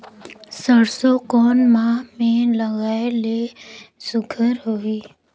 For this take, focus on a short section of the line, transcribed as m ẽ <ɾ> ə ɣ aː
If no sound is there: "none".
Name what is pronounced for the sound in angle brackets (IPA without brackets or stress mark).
l